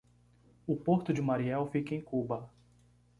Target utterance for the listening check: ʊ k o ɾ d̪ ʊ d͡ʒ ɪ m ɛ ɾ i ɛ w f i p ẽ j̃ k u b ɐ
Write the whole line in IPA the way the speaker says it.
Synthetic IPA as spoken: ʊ p o ɾ t̪ ʊ d͡ʒ ɪ m a ɾ i ɛ w f i k ẽ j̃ k u b ɐ